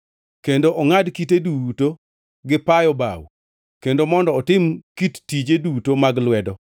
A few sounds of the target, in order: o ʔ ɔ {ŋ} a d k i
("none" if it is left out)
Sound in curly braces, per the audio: ŋ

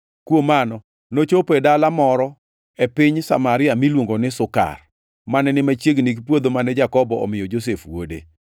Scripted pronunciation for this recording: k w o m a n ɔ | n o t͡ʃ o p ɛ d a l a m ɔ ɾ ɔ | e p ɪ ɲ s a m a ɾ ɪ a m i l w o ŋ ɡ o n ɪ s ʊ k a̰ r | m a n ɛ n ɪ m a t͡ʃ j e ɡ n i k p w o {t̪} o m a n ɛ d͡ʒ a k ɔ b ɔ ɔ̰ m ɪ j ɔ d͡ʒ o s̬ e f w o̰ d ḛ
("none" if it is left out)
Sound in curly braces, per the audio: d̪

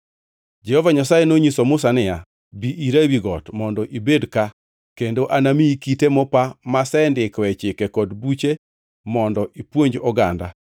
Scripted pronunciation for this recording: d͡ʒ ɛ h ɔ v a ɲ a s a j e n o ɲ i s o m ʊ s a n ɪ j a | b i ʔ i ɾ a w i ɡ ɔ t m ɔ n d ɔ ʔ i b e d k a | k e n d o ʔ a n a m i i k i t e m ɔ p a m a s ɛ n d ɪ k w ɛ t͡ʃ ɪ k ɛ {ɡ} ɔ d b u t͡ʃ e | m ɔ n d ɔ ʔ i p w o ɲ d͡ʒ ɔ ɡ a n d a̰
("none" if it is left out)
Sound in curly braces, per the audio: k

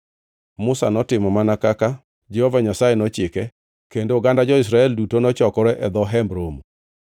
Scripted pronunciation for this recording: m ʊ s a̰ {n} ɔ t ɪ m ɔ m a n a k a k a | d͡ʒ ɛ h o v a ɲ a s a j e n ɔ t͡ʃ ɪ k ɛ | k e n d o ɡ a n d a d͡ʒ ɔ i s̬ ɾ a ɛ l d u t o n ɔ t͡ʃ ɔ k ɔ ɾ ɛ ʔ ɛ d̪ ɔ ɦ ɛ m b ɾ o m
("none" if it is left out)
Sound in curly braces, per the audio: n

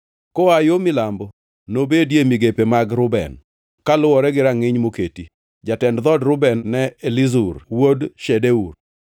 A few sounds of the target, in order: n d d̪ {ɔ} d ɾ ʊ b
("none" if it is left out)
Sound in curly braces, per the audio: ɔ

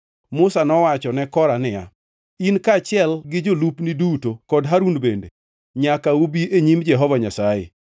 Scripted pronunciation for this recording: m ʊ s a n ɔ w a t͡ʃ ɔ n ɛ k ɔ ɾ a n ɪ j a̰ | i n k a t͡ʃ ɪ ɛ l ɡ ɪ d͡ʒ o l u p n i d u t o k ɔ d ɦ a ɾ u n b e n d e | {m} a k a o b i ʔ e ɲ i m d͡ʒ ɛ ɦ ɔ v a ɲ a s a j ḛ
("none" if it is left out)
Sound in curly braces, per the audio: ɲ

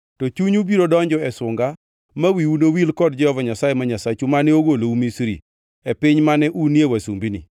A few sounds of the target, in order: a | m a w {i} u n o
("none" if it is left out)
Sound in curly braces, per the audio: i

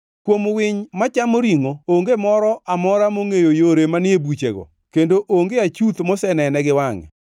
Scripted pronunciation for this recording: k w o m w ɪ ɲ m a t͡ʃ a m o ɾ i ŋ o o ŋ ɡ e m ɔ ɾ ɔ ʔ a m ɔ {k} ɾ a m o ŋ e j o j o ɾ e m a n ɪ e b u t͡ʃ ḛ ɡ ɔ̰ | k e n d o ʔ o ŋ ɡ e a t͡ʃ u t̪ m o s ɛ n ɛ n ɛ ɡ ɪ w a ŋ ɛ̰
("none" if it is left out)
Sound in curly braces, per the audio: none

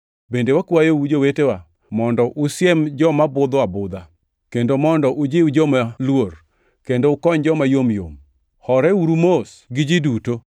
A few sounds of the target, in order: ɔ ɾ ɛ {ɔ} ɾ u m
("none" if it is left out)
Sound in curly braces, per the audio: u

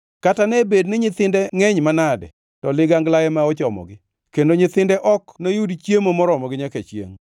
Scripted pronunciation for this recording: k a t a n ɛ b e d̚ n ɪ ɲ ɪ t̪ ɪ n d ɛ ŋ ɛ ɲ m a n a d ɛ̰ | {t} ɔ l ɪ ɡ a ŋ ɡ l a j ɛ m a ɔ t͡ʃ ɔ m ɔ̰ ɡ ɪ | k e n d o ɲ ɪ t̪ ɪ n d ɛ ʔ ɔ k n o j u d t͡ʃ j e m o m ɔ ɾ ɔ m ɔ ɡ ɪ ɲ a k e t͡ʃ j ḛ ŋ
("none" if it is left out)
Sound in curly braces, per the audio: t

